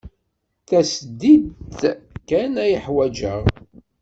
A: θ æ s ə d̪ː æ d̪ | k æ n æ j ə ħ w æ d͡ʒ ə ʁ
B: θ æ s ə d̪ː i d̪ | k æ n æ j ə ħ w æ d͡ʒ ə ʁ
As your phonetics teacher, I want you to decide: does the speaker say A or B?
B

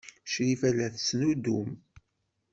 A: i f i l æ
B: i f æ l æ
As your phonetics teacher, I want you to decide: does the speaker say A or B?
B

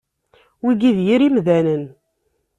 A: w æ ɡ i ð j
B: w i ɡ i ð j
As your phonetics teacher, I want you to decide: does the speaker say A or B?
B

